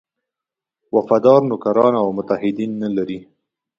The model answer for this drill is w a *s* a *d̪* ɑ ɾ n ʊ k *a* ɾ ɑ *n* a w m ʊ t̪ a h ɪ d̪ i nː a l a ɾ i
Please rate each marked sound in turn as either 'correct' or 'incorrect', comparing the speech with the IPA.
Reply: incorrect, correct, correct, correct

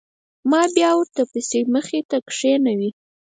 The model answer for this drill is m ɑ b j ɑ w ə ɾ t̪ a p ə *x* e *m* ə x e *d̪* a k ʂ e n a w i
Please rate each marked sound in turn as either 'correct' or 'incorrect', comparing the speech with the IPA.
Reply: incorrect, correct, incorrect

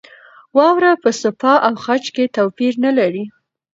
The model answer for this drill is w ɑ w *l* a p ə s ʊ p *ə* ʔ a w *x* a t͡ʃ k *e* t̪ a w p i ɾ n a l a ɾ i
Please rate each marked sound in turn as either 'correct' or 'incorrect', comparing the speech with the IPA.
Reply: incorrect, incorrect, correct, correct

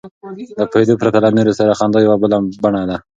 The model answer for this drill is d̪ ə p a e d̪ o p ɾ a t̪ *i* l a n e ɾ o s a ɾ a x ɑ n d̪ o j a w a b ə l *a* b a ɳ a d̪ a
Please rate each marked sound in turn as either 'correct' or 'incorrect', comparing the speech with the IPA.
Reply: incorrect, correct

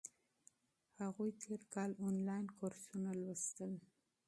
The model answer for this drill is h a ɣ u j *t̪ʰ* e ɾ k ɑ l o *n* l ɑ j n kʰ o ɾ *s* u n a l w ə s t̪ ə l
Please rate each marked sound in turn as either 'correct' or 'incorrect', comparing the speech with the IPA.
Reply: correct, correct, correct

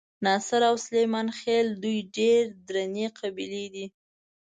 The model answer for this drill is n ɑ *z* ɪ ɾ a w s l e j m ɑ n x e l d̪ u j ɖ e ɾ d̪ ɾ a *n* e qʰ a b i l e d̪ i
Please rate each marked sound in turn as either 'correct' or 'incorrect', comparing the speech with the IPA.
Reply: incorrect, correct

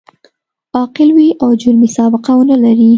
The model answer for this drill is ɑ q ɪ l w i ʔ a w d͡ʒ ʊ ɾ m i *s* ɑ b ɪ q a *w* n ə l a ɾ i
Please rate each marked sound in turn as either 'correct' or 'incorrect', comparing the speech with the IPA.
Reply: correct, correct

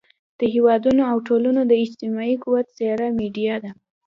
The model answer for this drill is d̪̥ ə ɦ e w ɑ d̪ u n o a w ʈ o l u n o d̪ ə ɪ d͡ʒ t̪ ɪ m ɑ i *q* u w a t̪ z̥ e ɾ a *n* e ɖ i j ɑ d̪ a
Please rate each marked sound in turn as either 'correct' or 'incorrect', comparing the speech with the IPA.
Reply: incorrect, incorrect

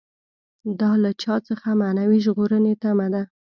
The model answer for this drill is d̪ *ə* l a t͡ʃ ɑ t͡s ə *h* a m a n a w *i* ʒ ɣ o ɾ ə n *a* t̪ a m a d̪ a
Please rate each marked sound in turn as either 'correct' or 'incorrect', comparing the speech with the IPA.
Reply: incorrect, incorrect, correct, incorrect

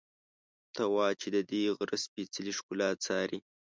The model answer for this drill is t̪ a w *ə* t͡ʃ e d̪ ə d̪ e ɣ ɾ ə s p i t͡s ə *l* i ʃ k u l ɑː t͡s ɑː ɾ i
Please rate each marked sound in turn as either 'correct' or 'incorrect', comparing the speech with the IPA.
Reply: incorrect, correct

